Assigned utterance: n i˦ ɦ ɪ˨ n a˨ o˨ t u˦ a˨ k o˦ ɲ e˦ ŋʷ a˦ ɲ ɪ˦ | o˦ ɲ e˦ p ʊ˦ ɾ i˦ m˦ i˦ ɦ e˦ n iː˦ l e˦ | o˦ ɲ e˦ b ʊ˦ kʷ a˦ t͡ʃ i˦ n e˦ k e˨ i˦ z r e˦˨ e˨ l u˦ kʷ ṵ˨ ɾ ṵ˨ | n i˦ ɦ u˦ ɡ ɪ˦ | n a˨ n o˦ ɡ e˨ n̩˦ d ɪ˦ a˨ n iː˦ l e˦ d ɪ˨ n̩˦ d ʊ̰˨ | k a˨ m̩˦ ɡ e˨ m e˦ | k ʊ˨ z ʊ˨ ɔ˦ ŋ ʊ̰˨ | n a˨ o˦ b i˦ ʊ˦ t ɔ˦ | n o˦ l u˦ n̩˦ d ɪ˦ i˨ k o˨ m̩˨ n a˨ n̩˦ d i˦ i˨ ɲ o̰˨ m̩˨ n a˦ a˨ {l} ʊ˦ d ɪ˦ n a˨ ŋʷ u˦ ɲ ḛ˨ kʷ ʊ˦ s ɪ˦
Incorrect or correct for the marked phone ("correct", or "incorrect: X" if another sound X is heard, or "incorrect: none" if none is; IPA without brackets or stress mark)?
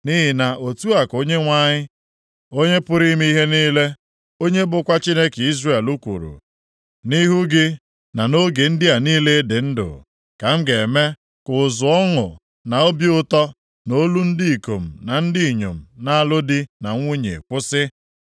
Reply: correct